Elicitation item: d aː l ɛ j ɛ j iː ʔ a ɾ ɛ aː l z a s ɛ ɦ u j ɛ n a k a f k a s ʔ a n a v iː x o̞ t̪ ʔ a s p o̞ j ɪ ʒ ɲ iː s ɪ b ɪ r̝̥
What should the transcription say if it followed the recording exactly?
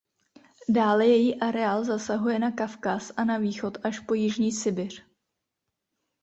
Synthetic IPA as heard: d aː l ɛ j ɛ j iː ʔ a ɾ ɛ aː l z a s a ɦ u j ɛ n a k a f k a s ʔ a n a v iː x o̞ t̪ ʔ a ʃ p o̞ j ɪ ʒ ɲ iː s ɪ b ɪ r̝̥